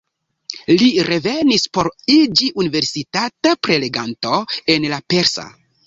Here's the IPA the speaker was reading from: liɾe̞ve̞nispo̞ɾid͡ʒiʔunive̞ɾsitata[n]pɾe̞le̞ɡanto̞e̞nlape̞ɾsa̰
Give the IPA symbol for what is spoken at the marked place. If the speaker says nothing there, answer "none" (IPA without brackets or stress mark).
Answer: none